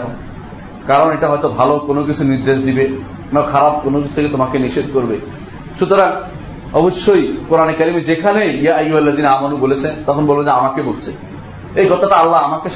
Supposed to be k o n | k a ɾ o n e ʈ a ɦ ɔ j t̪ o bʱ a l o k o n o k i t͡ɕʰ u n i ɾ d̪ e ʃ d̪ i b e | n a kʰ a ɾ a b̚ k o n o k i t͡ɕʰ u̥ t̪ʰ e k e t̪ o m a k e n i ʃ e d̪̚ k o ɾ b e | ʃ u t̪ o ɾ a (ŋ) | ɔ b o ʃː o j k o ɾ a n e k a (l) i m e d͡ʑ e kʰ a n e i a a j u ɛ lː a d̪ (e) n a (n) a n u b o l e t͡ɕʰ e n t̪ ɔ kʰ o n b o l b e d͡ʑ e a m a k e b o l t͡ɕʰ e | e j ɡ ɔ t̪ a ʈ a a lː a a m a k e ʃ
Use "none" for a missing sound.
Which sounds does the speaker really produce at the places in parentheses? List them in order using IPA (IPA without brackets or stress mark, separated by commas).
ŋ, ɾ, i, m